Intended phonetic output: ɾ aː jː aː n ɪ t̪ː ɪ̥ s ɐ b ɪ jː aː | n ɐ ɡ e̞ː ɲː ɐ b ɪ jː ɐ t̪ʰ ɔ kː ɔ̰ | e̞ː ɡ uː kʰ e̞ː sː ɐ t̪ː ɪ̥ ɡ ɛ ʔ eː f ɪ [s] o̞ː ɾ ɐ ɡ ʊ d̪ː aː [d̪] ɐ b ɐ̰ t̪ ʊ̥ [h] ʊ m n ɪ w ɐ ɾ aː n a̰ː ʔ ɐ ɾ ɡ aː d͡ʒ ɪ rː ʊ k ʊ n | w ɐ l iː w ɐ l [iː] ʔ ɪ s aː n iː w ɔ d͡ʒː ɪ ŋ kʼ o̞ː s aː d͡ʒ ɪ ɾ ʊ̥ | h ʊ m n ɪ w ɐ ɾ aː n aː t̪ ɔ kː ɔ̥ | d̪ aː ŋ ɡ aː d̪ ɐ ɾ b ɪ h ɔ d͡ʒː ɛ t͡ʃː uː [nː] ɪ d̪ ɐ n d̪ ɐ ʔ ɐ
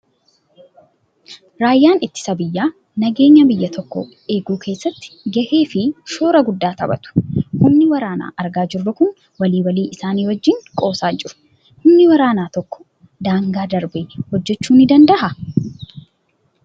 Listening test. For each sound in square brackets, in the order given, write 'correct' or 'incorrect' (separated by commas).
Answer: incorrect, incorrect, correct, correct, incorrect